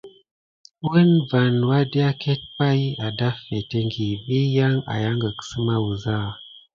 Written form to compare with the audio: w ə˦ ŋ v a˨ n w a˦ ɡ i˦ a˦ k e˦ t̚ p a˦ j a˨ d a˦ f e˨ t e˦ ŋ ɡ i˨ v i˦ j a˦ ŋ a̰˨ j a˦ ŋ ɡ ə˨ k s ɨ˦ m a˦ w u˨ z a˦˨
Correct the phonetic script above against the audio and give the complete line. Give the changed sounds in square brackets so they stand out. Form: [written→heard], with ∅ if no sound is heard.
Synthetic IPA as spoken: w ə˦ [ŋ→n] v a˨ n w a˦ [ɡ→d] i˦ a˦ k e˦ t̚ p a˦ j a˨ d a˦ f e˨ t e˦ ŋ ɡ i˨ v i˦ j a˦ ŋ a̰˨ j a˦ ŋ ɡ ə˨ k s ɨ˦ m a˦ w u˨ z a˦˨

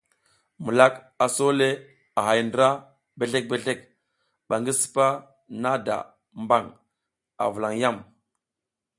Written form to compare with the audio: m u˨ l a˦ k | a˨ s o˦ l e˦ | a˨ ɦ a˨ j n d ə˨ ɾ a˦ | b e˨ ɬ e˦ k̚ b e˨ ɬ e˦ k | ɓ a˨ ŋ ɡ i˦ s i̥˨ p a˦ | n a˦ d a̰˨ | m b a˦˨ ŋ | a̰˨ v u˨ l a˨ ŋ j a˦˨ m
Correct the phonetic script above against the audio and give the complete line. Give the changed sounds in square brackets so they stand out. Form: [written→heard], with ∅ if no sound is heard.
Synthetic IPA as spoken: m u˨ l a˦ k | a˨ s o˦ l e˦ | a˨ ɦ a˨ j n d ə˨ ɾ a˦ | b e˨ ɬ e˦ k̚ b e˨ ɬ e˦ k | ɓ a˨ ŋ ɡ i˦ s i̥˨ p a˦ | n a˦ d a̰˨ | m b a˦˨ ŋ | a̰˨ v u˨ l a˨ ŋ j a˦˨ m

